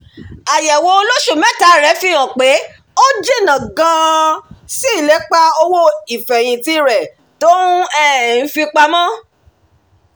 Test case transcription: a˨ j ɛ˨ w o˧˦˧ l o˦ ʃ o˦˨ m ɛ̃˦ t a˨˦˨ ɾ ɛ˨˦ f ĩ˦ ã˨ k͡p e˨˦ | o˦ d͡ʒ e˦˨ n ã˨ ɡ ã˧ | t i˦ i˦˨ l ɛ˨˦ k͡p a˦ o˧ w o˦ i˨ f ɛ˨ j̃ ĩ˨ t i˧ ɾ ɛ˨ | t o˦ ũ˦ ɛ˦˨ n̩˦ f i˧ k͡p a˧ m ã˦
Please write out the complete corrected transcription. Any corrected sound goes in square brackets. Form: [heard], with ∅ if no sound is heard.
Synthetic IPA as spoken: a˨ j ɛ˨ w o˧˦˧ l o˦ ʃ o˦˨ m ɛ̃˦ t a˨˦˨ ɾ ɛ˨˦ f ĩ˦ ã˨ k͡p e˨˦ | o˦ d͡ʒ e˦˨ n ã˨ ɡ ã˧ | [s] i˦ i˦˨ l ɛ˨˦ k͡p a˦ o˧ w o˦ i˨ f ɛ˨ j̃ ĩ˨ t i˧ ɾ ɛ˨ | t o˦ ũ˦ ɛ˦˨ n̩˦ f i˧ k͡p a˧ m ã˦